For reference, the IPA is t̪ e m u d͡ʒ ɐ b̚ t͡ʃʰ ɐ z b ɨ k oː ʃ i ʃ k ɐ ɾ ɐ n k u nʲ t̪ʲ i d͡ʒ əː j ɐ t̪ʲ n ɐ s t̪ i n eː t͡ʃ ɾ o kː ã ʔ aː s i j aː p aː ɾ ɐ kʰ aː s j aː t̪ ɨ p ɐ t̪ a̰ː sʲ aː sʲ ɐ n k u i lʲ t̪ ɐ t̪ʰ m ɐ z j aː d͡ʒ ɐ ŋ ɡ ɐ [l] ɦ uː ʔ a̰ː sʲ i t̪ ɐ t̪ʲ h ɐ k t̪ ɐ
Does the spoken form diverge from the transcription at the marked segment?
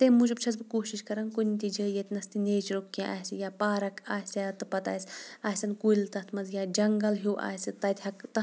no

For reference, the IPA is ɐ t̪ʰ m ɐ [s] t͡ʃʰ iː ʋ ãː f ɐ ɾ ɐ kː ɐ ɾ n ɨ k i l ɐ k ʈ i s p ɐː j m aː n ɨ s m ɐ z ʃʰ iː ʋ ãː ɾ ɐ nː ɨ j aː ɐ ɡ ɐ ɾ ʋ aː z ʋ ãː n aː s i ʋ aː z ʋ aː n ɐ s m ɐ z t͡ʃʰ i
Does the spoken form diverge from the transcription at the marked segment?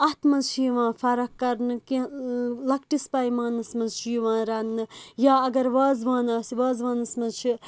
yes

